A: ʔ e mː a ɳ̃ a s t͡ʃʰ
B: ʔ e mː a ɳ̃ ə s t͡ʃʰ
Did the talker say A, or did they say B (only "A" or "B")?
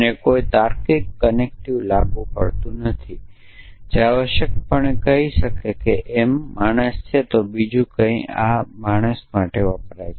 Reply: B